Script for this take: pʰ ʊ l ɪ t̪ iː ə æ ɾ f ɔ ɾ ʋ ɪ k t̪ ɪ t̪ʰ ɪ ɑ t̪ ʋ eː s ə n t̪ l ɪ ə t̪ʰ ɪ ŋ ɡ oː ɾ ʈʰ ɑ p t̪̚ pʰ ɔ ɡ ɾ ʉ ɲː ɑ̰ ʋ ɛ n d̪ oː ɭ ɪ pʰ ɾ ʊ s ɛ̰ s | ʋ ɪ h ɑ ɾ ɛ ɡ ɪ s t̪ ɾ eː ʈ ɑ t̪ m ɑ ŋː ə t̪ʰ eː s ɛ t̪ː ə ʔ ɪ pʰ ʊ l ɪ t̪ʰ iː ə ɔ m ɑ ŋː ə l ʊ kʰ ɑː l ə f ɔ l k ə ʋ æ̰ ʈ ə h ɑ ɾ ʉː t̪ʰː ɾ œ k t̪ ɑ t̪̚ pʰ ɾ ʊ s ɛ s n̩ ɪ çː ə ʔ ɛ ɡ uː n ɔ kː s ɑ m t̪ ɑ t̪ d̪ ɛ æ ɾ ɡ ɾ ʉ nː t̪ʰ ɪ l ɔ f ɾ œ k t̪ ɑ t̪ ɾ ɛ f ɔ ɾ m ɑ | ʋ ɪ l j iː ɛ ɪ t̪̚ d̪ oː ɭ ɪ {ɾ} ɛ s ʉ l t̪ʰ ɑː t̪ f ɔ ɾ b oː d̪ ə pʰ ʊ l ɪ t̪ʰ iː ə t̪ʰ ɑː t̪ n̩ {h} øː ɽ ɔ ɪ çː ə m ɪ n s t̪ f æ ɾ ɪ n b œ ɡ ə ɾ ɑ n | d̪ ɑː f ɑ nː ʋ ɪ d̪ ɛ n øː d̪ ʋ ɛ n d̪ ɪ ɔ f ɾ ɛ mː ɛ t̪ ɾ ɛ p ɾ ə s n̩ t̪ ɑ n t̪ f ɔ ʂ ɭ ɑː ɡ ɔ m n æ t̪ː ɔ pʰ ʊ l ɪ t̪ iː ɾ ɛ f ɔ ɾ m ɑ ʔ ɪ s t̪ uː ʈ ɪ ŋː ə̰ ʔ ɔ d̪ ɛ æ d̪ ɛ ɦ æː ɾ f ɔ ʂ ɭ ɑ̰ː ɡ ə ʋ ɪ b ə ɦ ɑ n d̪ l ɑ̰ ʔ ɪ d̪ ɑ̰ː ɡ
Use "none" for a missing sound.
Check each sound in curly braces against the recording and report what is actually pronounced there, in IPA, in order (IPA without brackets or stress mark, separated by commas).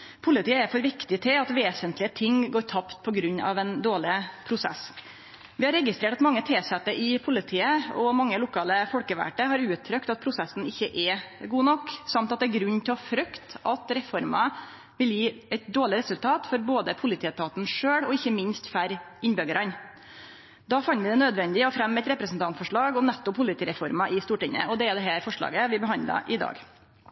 ɾ, ʂ